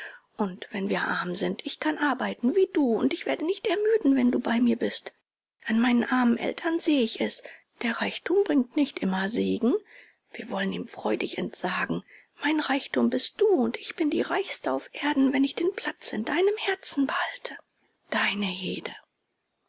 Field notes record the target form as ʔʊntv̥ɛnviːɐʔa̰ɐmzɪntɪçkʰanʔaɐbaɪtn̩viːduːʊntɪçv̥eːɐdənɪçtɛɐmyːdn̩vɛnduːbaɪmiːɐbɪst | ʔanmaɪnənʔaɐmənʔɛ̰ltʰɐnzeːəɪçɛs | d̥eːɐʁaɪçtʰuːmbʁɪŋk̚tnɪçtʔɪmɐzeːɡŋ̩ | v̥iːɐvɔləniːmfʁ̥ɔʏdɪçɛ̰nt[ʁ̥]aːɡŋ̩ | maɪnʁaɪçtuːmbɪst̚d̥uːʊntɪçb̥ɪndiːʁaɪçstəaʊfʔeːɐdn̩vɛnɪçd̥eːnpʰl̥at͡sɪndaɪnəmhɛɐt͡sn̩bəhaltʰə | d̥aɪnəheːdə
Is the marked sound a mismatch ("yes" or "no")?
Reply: yes